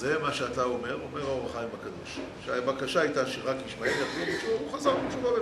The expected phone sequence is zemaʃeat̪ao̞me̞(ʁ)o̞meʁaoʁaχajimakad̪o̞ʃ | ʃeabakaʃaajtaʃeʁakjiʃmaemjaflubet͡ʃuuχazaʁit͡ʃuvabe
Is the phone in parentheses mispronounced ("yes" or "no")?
no